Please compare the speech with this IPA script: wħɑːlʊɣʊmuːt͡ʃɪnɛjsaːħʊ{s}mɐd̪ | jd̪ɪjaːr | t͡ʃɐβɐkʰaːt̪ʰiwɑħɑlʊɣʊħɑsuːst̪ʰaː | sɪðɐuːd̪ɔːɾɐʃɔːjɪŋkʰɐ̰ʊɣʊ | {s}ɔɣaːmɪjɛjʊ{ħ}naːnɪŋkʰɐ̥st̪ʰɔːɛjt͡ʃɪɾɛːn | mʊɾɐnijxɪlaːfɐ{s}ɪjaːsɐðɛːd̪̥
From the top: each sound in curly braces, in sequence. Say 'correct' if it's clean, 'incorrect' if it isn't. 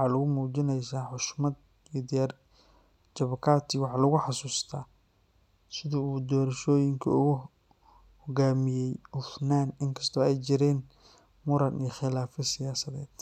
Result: incorrect: ʃ, incorrect: h, incorrect: f, correct

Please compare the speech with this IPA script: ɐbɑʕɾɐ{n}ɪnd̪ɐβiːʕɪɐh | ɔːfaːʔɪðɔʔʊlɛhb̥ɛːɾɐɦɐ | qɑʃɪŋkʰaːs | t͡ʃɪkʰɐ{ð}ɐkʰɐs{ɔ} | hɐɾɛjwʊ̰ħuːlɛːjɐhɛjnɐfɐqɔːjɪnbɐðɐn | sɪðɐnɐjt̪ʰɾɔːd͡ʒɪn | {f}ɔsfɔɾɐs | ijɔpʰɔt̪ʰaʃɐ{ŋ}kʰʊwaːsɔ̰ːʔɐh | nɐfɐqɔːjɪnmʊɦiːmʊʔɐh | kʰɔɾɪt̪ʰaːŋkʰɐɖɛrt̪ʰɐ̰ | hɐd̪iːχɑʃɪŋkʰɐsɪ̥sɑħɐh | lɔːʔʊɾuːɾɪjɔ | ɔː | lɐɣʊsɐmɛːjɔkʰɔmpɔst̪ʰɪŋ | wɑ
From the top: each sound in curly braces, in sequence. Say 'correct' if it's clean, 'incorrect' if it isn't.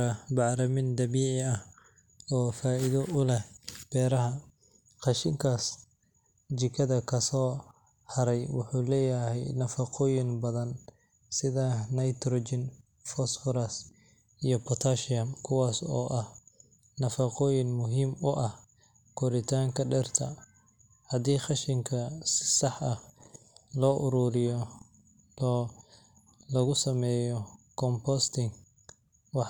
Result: incorrect: m, correct, incorrect: ɔː, correct, incorrect: m

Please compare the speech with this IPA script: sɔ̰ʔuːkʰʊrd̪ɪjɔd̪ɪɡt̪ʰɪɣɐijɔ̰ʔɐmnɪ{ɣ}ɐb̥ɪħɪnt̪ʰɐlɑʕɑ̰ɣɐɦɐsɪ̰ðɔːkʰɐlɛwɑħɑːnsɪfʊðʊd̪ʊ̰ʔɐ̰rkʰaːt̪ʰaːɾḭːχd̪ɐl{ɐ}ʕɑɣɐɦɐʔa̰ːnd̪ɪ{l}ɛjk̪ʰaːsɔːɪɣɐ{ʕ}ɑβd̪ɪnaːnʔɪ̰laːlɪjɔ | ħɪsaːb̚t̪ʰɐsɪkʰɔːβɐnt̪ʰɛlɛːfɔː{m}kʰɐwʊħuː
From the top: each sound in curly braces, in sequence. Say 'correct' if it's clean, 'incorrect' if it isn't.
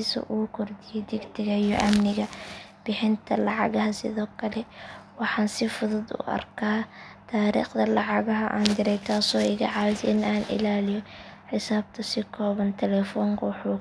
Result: correct, incorrect: ɑ, incorrect: ɾ, correct, incorrect: ŋ

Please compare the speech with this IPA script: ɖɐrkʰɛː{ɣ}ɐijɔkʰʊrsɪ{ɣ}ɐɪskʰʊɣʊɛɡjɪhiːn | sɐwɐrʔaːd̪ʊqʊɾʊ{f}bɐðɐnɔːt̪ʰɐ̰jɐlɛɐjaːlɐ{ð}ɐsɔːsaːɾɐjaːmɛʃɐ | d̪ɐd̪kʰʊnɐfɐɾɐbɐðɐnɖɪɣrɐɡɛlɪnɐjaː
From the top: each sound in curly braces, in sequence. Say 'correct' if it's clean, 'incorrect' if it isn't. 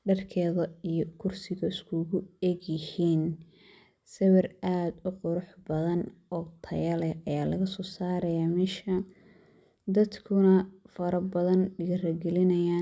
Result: incorrect: ð, correct, incorrect: ħ, incorrect: ɣ

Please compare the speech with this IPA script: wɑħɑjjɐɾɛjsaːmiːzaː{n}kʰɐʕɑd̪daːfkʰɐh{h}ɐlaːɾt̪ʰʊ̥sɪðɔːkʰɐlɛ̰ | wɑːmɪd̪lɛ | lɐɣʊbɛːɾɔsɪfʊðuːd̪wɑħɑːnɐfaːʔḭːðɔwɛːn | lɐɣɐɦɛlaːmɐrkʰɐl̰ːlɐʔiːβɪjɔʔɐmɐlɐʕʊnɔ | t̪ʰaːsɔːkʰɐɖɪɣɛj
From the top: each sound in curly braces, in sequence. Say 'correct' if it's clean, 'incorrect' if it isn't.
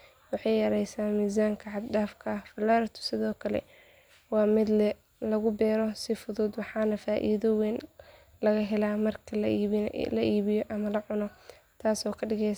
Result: incorrect: ŋ, incorrect: f

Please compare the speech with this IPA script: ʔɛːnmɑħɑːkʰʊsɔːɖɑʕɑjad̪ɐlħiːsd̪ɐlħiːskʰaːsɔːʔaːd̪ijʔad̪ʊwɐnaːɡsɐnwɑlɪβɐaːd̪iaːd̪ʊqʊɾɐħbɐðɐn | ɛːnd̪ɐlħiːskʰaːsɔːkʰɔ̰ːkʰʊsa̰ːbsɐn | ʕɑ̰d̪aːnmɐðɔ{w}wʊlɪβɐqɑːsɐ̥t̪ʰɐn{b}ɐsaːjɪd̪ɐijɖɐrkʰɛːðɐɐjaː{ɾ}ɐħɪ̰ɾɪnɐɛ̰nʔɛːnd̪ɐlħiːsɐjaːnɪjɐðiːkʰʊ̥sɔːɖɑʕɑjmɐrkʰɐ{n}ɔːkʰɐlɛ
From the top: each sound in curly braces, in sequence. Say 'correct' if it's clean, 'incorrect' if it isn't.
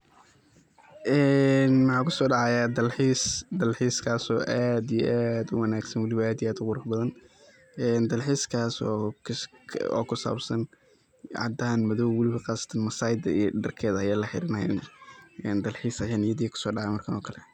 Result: correct, incorrect: m, incorrect: l, correct

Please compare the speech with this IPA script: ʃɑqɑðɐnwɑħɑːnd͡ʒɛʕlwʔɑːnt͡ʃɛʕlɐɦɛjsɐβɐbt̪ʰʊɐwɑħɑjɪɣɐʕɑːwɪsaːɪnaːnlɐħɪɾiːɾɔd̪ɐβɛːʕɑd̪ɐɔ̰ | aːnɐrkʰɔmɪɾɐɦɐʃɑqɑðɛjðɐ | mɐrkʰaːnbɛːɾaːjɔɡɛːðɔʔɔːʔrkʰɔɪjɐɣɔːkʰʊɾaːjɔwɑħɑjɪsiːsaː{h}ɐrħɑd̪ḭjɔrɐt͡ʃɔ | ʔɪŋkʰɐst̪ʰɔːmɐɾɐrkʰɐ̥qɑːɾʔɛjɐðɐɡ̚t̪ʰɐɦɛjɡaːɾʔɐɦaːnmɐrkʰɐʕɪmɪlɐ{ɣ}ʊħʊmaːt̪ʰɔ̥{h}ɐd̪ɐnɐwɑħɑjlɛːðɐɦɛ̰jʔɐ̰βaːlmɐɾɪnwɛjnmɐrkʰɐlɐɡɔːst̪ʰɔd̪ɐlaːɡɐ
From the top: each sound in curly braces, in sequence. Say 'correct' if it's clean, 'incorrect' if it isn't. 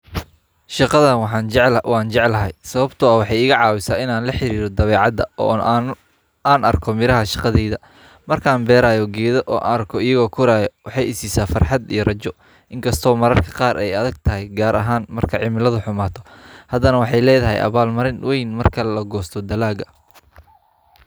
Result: incorrect: f, incorrect: ð, correct

